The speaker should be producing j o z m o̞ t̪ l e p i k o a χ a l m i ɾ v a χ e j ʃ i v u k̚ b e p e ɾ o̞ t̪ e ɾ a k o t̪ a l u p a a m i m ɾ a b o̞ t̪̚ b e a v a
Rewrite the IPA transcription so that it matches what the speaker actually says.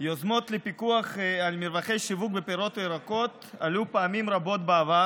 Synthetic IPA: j o z m o̞ t̪ l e p i k u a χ a l m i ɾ v a χ e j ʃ i v u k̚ b e p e ɾ o̞ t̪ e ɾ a k o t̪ a l u p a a m i m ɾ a b o̞ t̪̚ b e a v a